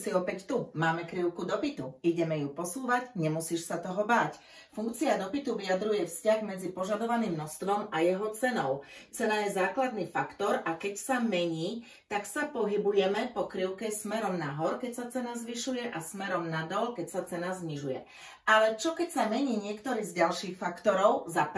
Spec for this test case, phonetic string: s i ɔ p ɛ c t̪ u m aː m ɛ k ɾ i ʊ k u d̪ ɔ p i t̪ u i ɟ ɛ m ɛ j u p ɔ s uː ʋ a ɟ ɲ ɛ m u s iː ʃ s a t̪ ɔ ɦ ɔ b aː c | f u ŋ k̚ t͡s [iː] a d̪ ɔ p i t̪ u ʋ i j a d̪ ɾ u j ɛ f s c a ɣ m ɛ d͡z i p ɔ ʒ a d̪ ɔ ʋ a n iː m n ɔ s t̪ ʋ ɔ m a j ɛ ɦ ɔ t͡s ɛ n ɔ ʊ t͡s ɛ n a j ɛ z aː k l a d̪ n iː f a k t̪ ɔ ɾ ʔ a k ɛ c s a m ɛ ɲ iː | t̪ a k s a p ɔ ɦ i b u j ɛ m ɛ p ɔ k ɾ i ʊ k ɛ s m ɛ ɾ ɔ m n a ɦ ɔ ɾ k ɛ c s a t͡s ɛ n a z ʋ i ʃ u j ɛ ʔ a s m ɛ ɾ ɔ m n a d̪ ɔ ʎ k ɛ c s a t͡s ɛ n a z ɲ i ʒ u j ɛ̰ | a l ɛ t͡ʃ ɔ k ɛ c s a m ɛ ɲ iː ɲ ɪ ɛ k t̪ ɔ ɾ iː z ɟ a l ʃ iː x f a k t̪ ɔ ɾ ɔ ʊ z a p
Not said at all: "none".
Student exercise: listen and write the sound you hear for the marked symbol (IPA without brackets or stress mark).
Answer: i